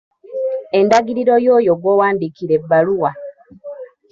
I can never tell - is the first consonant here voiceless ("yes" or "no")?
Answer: no